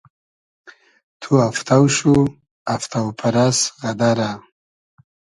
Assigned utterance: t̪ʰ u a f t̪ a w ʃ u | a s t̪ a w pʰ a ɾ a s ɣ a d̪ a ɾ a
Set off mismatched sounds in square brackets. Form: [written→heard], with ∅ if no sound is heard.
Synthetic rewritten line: t̪ʰ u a f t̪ a w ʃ u | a [s→f] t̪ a w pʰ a ɾ a s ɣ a d̪ a ɾ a